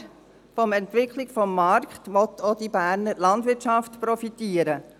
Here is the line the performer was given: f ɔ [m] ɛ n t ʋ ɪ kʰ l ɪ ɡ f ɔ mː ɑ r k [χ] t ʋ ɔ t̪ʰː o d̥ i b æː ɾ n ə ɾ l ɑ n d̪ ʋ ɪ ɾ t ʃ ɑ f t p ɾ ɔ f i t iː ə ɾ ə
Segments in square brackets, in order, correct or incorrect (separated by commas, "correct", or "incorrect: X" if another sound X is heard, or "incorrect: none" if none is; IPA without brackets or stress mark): correct, correct